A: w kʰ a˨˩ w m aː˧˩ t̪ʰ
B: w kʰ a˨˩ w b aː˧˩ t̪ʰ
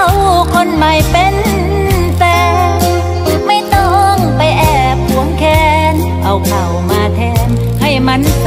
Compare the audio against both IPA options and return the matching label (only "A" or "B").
A